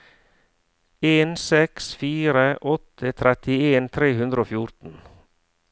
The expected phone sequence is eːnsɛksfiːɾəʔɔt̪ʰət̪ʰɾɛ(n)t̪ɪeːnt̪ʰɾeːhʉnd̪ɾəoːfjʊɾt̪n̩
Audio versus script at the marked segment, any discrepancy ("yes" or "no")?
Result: yes